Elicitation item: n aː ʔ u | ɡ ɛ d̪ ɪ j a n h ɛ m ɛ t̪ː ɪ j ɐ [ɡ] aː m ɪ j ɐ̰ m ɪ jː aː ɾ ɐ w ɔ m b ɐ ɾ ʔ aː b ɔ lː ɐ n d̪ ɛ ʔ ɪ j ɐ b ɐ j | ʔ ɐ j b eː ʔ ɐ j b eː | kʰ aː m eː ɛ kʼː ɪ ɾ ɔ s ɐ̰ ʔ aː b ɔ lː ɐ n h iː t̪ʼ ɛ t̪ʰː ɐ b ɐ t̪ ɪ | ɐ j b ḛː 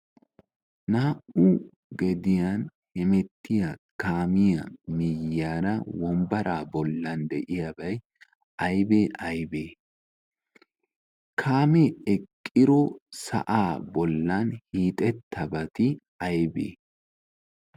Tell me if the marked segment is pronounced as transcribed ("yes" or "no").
no